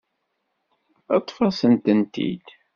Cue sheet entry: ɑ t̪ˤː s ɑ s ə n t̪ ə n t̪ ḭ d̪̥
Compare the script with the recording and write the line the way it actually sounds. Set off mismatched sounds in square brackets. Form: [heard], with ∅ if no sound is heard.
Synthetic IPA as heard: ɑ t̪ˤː [f] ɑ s ə n t̪ ə n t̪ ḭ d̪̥